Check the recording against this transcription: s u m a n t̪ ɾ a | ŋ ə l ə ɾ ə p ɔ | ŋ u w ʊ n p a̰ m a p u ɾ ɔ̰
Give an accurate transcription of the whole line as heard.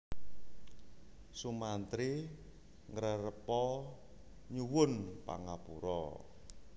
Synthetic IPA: s u m a n t̪ ɾ i | ŋ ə ɾ ə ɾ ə p ɔ | ɲ u w ʊ n p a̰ ŋ a p u ɾ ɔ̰